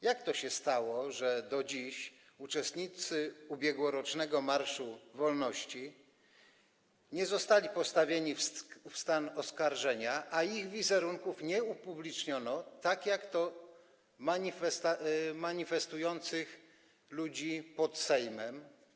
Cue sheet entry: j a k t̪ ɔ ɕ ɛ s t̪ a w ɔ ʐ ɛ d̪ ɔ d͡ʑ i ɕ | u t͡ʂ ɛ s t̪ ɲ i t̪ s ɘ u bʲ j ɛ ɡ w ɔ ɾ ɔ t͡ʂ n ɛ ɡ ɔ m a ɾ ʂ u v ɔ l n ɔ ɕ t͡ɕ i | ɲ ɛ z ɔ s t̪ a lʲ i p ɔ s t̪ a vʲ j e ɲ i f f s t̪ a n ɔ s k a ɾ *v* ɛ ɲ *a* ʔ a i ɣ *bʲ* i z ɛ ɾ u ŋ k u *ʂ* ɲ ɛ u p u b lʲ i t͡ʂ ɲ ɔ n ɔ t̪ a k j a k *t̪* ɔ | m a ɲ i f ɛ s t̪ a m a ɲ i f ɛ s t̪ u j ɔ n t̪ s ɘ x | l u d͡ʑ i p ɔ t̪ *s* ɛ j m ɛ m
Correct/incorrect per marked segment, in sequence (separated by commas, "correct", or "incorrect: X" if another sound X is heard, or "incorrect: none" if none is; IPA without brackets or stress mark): incorrect: ʐ, correct, incorrect: vʲ, incorrect: f, correct, correct